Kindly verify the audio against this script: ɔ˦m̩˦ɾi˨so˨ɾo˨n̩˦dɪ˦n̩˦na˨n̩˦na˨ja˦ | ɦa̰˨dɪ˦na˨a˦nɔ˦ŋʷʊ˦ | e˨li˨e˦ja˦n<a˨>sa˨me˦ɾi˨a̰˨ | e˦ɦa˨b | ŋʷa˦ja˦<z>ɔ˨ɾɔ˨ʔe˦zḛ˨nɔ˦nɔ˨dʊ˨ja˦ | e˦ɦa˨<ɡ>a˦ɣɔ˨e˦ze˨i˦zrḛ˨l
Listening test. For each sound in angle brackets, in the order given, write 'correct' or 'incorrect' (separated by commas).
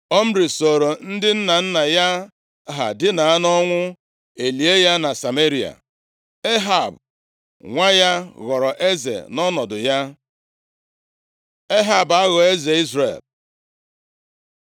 correct, incorrect, incorrect